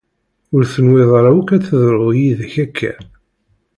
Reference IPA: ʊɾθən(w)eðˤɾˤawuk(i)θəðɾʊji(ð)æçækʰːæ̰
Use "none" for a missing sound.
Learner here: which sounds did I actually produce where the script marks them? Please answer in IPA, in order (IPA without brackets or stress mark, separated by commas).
w, æ, ð